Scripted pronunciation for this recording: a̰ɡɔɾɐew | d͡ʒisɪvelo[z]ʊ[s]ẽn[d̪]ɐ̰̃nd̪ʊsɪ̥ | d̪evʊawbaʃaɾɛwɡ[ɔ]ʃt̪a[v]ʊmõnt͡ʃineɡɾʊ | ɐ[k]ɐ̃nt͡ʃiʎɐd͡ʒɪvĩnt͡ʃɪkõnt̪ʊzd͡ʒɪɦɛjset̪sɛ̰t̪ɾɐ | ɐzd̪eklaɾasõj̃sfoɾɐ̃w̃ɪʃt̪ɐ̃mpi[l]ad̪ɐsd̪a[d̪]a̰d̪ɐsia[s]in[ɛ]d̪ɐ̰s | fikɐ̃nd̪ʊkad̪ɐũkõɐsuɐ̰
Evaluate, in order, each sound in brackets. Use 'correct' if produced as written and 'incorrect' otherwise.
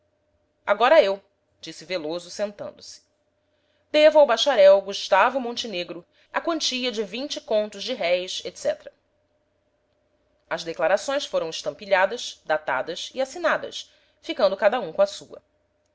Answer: correct, correct, incorrect: t̪, incorrect: u, correct, correct, incorrect: ʎ, incorrect: t̪, correct, incorrect: a

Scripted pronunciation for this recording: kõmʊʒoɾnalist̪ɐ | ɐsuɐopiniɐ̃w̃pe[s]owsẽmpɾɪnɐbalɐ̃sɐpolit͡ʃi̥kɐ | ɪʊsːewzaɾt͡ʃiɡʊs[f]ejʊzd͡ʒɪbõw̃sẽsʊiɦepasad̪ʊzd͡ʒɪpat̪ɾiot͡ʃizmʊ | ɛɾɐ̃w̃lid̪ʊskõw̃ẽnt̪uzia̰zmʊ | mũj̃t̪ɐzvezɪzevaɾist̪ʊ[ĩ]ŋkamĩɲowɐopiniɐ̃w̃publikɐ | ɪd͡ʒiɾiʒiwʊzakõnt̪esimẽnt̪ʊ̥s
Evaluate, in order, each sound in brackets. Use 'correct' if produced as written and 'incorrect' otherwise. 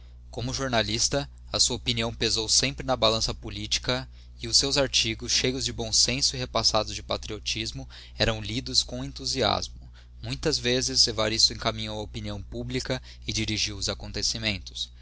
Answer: incorrect: z, incorrect: ʃ, incorrect: ẽ

